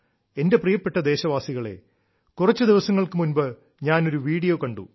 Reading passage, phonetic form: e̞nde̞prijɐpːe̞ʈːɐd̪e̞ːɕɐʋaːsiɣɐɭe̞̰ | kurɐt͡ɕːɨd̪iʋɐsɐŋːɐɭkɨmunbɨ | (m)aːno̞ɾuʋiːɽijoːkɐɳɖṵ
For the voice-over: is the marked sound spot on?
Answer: no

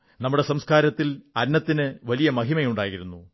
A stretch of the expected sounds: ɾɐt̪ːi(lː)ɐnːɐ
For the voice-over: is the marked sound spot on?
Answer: no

